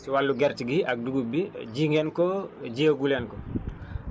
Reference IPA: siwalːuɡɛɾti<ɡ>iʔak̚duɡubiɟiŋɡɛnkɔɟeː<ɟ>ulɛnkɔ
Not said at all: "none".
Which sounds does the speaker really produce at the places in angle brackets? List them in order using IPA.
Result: ɡ, ɡ

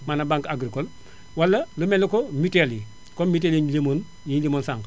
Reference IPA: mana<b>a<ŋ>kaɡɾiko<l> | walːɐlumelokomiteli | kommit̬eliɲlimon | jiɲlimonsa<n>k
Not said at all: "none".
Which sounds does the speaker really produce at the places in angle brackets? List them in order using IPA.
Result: b, ŋ, l, ŋ

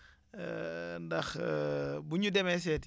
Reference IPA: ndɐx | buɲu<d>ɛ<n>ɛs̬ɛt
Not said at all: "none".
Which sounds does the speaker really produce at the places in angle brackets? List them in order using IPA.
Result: d, m

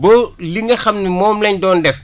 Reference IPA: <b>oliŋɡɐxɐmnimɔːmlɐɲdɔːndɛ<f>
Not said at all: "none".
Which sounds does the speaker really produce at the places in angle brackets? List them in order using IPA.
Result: b, f

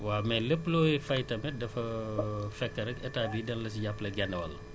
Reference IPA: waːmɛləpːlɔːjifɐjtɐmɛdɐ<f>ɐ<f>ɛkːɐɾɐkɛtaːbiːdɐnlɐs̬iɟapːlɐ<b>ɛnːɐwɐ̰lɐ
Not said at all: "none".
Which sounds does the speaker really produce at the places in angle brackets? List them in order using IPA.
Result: f, f, ɡ

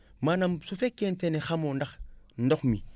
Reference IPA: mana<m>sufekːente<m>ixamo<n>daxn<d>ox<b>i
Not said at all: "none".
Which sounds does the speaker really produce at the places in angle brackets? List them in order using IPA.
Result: m, n, n, d, m

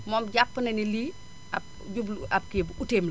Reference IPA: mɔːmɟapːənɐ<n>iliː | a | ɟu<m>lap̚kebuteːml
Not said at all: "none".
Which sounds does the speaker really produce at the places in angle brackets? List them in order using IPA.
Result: n, b

